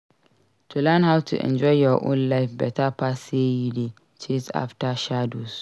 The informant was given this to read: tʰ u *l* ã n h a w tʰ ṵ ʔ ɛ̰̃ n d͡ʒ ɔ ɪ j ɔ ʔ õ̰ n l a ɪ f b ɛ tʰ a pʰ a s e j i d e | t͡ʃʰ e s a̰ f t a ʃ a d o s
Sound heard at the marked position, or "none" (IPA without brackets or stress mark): l